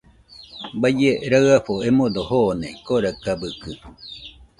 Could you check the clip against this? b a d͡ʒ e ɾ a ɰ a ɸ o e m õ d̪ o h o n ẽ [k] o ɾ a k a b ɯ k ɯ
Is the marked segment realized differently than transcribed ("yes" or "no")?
no